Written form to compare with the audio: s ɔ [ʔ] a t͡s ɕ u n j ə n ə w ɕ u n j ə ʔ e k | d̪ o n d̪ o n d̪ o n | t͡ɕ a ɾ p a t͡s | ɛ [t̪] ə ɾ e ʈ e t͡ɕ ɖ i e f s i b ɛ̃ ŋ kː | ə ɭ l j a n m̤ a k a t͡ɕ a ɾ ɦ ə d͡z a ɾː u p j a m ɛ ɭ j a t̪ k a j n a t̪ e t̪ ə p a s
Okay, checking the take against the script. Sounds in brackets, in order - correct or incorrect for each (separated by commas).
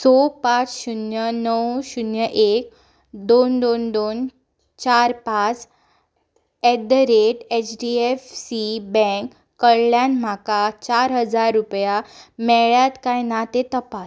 incorrect, incorrect